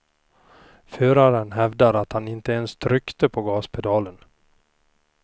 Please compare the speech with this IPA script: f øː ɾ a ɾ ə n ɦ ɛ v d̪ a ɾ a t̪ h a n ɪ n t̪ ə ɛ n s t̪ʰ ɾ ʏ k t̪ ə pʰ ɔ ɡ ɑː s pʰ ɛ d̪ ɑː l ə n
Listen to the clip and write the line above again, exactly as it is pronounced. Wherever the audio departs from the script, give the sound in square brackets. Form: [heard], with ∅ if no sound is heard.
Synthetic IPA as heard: f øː ɾ a ɾ ə n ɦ ɛ v d̪ a ɾ a t̪ h a n ɪ n t̪ ə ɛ n s t̪ʰ ɾ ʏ k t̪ ə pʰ ɔ ɡ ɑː s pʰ ɛ d̪ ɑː l ə n